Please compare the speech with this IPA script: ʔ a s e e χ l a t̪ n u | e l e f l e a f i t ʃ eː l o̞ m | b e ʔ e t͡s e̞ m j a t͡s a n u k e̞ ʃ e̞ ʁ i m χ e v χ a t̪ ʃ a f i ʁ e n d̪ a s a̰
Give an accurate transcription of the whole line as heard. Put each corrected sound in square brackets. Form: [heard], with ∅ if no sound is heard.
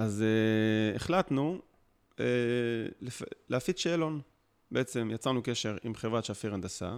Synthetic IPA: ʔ a [z] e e χ l a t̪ n u | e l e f l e a f i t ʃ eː l o̞ [n] | b e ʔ e t͡s e̞ m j a t͡s a n u k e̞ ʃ e̞ ʁ i m χ e v [ʁ] a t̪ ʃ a f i ʁ [a] n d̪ a s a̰